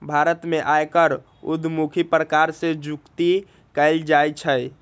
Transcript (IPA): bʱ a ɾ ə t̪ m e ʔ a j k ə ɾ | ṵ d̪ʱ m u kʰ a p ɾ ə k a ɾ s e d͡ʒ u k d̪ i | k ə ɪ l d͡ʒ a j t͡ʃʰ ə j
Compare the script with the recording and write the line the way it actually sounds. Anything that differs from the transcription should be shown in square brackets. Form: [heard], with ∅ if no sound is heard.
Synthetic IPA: bʱ a ɾ ə t̪ m e ʔ a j k ə ɾ | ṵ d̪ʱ m u kʰ [i] p ɾ ə k a ɾ s e d͡ʒ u k [t̪] i | k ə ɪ l d͡ʒ a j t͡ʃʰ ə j